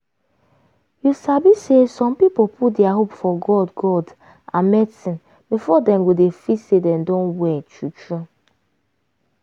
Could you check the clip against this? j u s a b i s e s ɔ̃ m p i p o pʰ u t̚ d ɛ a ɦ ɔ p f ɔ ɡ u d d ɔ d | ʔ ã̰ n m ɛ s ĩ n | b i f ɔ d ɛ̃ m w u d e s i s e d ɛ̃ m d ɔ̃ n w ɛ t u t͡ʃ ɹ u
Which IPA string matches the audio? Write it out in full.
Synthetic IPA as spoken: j u s a b i s e s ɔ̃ m p i p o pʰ u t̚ d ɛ a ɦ o p f ɔ ɡ ɔ d ɡ ɔ d | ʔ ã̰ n m ɛ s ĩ n | b i f ɔ d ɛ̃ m w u d e f i s e d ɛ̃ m d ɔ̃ n w ɛ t u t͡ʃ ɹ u